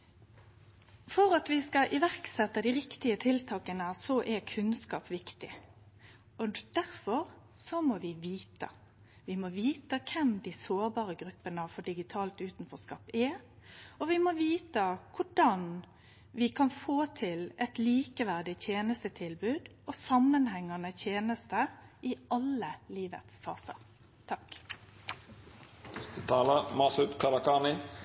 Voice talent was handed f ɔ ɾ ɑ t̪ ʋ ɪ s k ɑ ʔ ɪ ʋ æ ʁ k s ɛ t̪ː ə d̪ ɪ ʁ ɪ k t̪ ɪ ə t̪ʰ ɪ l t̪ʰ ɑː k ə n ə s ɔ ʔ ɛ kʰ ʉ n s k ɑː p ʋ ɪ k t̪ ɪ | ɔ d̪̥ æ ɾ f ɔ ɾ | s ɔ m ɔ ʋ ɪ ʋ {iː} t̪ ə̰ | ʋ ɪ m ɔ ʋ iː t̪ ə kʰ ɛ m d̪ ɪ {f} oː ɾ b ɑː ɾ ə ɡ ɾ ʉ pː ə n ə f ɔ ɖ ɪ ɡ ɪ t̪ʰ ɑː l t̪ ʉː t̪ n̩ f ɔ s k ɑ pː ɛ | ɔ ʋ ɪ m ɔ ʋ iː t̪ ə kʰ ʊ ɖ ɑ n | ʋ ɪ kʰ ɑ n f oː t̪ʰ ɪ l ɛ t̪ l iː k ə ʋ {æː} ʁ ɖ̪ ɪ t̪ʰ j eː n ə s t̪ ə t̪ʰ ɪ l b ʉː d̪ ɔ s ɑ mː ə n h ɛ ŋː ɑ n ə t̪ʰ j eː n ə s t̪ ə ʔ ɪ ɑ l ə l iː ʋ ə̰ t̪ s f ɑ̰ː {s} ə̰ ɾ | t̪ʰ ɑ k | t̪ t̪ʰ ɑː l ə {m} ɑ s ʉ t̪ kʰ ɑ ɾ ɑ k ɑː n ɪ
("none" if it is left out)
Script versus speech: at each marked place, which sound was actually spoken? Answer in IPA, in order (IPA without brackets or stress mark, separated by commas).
iː, s, æ, s, m